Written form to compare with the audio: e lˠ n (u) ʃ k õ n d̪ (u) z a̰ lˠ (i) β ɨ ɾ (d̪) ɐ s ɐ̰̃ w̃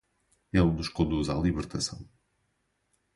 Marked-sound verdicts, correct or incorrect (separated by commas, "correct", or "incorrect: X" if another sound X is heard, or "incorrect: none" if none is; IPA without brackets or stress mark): correct, correct, correct, incorrect: t̪